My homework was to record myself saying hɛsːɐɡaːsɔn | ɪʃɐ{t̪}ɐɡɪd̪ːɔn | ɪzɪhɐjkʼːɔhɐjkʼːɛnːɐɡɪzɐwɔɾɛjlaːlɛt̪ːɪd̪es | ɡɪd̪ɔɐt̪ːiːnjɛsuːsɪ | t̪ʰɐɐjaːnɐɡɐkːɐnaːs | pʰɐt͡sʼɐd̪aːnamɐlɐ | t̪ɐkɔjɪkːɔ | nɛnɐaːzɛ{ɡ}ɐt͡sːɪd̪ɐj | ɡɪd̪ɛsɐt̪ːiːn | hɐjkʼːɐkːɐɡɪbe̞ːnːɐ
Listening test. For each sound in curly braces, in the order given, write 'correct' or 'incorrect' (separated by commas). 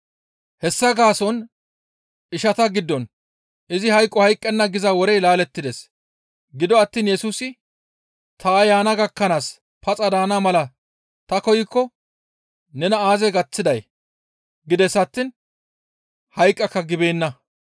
correct, correct